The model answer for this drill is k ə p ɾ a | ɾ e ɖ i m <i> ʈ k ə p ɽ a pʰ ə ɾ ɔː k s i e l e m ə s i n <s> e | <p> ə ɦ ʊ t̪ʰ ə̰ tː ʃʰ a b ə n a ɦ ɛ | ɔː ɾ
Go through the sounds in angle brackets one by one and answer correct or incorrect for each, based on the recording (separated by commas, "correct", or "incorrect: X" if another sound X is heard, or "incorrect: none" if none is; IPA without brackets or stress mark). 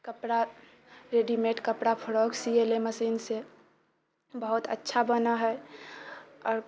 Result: incorrect: e, correct, incorrect: b